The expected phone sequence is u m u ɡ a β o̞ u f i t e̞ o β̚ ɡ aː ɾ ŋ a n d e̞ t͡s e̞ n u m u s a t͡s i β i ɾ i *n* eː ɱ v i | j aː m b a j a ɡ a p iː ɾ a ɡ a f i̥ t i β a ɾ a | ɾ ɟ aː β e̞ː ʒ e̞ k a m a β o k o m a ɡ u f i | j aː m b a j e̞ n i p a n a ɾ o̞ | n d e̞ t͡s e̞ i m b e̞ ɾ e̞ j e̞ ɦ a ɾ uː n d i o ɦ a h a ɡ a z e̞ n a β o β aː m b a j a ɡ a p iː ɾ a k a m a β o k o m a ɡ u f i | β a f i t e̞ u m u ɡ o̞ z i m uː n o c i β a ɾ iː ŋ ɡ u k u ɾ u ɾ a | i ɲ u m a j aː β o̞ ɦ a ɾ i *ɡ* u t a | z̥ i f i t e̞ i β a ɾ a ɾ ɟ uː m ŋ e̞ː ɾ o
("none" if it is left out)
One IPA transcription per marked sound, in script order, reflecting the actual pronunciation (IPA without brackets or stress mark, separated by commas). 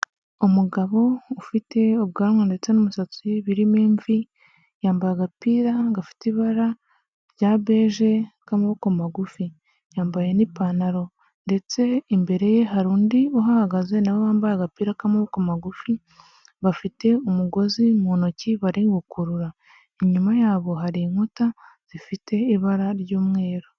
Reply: m, ŋ